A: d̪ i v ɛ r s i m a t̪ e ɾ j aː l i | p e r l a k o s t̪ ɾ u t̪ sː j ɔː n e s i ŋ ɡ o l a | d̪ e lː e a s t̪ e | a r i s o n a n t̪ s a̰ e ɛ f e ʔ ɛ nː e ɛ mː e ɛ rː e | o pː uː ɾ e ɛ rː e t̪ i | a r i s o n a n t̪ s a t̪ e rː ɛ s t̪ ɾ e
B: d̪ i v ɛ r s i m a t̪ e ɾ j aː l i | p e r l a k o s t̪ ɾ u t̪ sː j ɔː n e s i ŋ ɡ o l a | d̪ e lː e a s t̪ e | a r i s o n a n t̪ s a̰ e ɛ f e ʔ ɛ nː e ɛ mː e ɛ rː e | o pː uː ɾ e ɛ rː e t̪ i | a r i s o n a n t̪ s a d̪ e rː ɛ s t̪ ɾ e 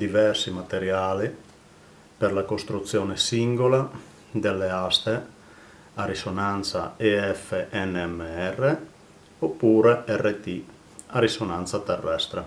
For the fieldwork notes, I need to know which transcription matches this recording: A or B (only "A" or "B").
A